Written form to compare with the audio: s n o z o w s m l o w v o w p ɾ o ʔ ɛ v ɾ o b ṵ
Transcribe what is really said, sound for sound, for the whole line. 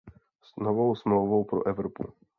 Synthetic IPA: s n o v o w s m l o w v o w p ɾ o ʔ ɛ v ɾ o p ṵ